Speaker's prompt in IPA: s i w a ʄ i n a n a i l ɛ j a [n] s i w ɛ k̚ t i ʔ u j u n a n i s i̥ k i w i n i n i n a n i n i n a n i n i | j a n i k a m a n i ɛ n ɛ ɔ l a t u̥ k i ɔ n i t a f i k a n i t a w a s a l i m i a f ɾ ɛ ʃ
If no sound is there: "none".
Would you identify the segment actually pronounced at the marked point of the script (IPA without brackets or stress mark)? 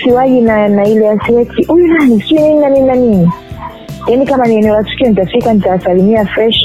none